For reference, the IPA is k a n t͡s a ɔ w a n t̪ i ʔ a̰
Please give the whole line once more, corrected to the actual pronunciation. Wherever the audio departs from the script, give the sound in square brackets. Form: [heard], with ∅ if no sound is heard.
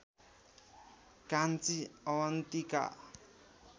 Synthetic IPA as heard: k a n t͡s [i] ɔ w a n t̪ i [k] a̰